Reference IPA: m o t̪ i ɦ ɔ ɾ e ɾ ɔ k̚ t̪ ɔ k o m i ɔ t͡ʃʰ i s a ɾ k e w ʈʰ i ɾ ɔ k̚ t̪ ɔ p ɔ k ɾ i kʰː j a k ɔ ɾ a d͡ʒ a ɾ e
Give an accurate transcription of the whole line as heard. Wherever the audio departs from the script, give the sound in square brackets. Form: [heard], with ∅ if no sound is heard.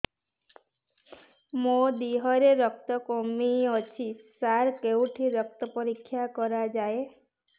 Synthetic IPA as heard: m o [d̪] i ɦ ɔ ɾ e ɾ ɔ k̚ t̪ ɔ k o m i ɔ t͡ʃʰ i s a ɾ k e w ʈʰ i ɾ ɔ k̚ t̪ ɔ p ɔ [∅] ɾ i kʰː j a k ɔ ɾ a d͡ʒ a [∅] e